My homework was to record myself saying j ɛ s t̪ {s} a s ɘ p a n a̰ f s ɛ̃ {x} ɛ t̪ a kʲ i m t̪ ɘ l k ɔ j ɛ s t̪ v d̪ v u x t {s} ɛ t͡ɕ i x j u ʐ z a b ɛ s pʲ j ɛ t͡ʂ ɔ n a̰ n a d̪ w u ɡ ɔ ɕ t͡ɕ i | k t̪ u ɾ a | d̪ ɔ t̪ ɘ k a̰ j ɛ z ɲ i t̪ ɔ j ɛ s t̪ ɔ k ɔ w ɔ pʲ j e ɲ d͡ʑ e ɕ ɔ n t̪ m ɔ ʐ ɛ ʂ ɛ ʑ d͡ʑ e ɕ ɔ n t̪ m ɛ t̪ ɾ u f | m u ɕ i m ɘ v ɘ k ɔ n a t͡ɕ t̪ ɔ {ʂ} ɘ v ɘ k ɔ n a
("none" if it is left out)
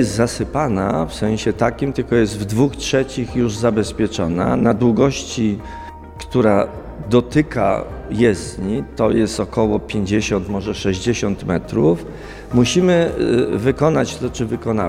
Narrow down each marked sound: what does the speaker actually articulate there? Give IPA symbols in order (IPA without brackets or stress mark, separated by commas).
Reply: z, ɕ, ʂ, t͡ʂ